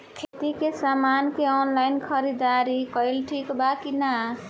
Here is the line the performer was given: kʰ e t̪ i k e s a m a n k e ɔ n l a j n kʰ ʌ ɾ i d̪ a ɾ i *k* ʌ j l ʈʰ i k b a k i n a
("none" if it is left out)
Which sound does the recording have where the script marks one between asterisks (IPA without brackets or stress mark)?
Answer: k